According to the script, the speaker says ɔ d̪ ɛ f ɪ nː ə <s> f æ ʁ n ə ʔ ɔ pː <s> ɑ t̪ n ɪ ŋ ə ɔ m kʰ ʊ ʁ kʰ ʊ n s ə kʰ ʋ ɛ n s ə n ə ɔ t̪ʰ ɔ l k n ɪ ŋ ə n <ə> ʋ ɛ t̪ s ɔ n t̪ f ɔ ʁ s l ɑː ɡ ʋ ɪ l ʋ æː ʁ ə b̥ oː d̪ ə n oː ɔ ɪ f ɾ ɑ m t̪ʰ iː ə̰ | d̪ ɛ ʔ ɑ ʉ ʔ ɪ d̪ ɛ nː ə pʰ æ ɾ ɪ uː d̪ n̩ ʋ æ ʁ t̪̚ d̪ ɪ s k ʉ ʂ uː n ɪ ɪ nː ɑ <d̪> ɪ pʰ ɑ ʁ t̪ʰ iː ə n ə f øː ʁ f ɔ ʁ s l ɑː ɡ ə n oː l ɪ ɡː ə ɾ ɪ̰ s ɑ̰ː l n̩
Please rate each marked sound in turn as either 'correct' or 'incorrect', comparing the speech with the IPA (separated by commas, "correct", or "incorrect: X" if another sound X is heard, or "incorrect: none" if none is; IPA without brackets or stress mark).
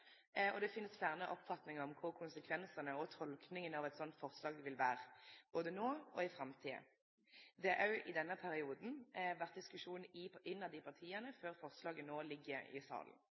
correct, incorrect: f, incorrect: ɑ, correct